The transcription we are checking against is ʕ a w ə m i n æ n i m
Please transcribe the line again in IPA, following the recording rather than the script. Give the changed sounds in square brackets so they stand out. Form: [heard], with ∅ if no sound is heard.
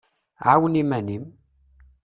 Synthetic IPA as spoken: ʕ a w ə [n] i [m] æ n i m

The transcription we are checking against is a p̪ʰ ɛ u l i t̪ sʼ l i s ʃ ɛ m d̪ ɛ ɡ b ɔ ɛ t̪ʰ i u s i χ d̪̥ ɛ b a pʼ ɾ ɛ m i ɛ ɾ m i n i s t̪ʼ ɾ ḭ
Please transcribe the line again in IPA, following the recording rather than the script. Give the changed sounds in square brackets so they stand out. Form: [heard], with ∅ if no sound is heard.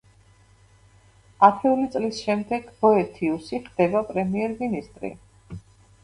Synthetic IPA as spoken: a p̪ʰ ɛ u l i t̪ sʼ l i s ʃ ɛ m d̪ ɛ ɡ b ɔ ɛ t̪ʰ i u s i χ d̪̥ ɛ b a pʼ ɾ ɛ m i ɛ ɾ m i n i s t̪ʼ ɾ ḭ

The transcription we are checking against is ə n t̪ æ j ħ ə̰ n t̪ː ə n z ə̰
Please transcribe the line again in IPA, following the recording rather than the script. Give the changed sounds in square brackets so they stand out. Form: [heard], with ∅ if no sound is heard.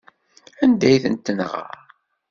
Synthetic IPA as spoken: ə n [d̪] æ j [θ] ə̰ n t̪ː ə n [ʁ] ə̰

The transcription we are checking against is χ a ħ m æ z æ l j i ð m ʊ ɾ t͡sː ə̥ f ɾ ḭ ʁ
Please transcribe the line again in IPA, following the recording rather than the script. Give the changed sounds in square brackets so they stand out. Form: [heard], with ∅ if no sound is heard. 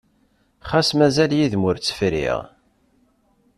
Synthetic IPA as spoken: χ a [s] m æ z æ l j i ð m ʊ ɾ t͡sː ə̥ f ɾ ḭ ʁ

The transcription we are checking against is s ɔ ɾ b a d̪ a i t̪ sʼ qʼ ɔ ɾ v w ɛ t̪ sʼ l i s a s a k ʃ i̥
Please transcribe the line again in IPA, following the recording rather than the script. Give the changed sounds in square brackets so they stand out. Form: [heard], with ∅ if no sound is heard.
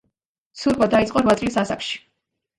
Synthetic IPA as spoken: s [u] ɾ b a d̪ a i t̪ sʼ qʼ ɔ ɾ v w [a] t̪ sʼ l i s a s a k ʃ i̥

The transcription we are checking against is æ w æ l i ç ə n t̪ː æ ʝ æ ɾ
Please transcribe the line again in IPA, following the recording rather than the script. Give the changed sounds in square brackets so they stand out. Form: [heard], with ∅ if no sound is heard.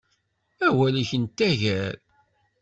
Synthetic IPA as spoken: æ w æ l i ç ə n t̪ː æ ʝ æ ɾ

